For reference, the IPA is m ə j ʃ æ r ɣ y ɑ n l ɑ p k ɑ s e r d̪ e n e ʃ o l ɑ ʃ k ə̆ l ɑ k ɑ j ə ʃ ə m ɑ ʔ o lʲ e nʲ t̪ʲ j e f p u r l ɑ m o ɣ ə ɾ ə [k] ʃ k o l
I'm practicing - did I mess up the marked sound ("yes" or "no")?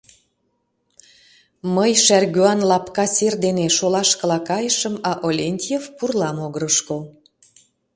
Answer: yes